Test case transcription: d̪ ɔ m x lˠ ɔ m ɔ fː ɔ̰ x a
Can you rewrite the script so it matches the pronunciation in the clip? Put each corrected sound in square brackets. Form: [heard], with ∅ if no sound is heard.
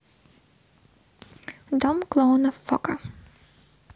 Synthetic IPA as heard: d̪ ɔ m [k] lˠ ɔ [n] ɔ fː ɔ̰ [k] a